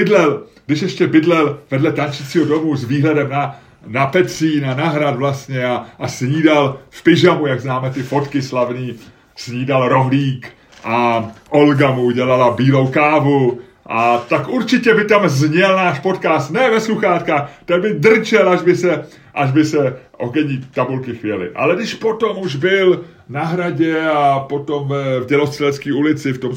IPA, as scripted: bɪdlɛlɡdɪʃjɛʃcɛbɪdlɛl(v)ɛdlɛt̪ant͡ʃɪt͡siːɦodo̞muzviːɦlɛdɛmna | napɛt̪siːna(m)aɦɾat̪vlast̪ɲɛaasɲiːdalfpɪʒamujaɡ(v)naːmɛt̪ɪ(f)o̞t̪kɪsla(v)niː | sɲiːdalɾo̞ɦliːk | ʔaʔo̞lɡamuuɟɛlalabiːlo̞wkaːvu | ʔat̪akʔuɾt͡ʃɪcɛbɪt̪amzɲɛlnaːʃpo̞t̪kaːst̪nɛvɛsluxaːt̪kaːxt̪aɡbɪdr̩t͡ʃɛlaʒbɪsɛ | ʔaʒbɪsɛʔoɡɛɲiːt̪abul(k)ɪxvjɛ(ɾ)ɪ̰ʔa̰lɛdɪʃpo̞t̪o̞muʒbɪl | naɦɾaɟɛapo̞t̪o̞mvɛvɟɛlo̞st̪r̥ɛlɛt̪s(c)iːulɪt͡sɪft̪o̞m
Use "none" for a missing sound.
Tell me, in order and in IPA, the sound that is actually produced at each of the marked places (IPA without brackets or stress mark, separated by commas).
v, n, z, f, v, k, l, k